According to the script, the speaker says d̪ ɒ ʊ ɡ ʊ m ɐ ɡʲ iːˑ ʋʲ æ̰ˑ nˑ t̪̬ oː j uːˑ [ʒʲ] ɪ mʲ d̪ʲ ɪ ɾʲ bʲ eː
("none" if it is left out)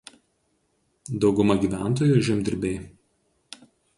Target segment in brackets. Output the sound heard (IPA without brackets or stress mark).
ʒʲ